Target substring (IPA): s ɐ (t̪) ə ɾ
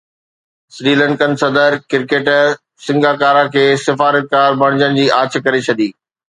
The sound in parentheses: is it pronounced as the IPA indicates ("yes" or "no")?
no